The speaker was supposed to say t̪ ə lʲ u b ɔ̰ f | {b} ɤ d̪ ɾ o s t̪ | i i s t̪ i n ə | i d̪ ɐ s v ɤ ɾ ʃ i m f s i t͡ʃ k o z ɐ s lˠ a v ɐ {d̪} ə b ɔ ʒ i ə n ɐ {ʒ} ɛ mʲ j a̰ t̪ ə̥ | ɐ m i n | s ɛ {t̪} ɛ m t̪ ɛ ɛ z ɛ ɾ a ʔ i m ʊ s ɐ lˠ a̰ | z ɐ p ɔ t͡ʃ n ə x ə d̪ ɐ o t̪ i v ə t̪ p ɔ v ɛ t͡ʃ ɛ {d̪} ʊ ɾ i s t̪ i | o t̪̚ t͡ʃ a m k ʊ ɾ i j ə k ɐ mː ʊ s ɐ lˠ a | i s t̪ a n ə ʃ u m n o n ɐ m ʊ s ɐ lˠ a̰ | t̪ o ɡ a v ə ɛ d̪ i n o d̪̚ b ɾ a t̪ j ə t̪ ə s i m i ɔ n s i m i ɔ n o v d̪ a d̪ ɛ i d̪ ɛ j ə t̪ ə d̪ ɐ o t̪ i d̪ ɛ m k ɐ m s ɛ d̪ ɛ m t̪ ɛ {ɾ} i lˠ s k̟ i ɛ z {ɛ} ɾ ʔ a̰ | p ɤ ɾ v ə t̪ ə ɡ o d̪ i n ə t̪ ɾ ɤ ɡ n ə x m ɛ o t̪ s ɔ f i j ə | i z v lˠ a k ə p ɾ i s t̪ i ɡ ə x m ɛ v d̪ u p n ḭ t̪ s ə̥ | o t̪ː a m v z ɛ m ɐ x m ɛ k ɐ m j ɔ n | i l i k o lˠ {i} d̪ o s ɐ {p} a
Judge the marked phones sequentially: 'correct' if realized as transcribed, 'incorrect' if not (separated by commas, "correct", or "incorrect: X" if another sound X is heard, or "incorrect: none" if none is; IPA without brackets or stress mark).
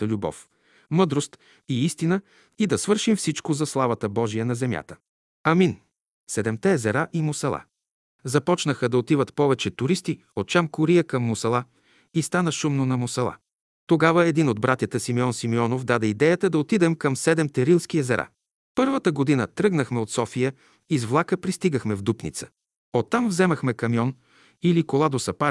incorrect: m, incorrect: t̪, incorrect: z, incorrect: d̪, incorrect: t̪, correct, correct, incorrect: a, correct